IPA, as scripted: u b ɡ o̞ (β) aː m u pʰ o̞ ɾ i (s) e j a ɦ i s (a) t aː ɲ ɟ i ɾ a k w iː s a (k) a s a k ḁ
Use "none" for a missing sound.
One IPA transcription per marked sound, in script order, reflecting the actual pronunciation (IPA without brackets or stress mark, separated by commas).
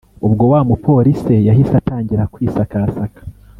w, s, a, k